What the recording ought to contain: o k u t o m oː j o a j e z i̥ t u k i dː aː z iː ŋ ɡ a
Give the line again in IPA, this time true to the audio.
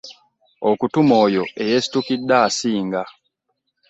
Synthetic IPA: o k u t u m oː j o e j e s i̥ t u k i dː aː s iː ŋ ɡ a